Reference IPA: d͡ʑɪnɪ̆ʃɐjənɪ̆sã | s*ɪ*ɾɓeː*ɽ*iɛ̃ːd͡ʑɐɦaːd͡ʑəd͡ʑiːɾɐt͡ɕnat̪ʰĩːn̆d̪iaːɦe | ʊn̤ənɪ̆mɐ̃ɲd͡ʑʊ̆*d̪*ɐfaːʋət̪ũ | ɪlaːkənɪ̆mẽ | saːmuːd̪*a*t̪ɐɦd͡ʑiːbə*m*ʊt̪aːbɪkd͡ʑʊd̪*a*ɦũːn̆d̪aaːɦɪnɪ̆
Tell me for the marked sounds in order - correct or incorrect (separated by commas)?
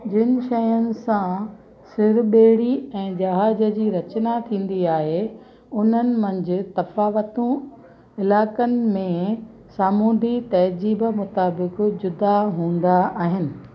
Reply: correct, correct, incorrect, incorrect, correct, correct